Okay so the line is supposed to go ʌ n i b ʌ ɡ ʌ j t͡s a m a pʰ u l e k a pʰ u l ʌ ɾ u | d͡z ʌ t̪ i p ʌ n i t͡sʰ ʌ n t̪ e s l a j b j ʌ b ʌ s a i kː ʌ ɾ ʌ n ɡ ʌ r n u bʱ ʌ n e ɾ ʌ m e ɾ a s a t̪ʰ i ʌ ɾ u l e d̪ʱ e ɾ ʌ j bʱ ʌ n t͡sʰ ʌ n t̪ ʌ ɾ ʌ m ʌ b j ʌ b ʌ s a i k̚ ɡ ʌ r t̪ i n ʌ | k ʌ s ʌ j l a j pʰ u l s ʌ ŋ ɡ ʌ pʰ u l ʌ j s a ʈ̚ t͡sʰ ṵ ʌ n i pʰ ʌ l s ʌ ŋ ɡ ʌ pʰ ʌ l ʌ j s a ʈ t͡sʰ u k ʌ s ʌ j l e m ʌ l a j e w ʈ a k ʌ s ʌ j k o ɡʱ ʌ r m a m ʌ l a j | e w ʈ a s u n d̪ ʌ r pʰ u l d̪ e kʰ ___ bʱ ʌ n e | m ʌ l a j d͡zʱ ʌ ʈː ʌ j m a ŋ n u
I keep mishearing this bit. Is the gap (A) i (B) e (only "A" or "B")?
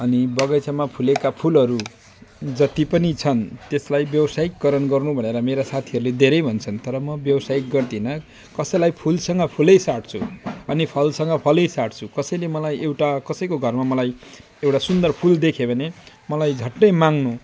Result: B